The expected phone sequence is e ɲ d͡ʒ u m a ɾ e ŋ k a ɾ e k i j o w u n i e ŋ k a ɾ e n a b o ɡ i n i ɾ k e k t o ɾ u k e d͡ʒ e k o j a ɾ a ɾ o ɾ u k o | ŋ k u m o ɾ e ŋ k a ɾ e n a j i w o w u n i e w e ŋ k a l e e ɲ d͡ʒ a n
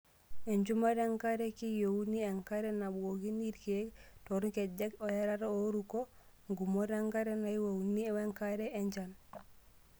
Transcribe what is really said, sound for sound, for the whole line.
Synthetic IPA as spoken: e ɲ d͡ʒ u m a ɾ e ŋ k a ɾ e k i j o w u n i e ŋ k a ɾ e n a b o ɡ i n i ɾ k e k t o ɾ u k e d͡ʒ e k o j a ɾ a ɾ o ɾ u k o | ŋ ɡ u m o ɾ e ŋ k a ɾ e n a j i w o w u n i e w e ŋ k a ɾ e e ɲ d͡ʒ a n